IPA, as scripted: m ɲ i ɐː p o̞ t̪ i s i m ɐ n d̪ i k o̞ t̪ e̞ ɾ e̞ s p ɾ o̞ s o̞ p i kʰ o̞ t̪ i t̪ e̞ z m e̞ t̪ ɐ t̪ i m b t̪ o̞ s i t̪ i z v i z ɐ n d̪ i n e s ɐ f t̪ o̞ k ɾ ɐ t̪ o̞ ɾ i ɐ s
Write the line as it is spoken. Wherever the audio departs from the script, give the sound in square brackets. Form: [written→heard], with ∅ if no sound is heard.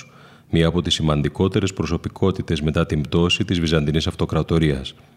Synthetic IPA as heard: m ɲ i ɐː p o̞ t̪ i s i m ɐ n d̪ i k o̞ t̪ e̞ ɾ e̞ s p ɾ o̞ s o̞ p i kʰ o̞ t̪ i t̪ e̞ z m e̞ t̪ ɐ t̪ i m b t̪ o̞ s i t̪ i z v i z ɐ n d̪ i n [e→i] s ɐ f t̪ o̞ k ɾ ɐ t̪ o̞ ɾ i ɐ s